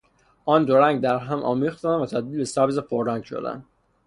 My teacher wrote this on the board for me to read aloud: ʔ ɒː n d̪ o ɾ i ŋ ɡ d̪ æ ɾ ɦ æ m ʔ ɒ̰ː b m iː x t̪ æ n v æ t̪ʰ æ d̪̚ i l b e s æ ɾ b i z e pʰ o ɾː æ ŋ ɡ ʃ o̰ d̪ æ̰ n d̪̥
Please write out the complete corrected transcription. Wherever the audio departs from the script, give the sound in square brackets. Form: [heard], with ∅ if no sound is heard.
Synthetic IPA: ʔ ɒː n d̪ o ɾ [æ] ŋ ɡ d̪ æ ɾ ɦ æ m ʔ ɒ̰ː [∅] m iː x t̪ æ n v æ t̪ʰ æ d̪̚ i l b e s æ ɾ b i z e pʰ o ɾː æ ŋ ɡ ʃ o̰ d̪ æ̰ n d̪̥